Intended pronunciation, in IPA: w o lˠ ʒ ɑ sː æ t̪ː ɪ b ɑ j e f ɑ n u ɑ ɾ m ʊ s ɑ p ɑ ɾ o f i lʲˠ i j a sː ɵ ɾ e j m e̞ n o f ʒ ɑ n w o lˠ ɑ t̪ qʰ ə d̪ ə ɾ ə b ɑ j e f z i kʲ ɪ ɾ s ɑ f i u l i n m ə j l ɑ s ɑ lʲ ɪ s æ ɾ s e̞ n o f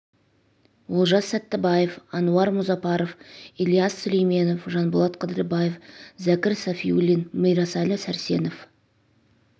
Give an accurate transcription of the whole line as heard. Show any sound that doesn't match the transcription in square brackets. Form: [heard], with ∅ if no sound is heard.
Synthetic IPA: w o lˠ ʒ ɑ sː æ t̪ː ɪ b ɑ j e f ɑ n u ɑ ɾ m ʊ [z] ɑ p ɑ ɾ o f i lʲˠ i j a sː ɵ [l] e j m e̞ n o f ʒ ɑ n [b] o lˠ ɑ t̪ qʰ ə d̪ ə ɾ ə b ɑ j e f z [æ] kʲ ɪ ɾ s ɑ f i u l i n m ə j [ɾ] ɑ s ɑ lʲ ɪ s æ ɾ s e̞ n o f